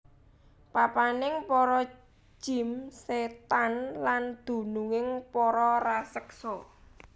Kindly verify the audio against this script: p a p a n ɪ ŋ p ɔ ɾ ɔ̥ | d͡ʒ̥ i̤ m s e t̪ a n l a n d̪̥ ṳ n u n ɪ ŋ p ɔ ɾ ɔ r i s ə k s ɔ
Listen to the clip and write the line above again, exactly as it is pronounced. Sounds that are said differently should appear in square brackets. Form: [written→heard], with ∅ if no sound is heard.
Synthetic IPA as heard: p a p a n ɪ ŋ p ɔ ɾ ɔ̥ | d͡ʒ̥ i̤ m s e t̪ a n l a n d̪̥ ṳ n u [n→ŋ] ɪ ŋ p ɔ ɾ ɔ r [i→a] s ə k s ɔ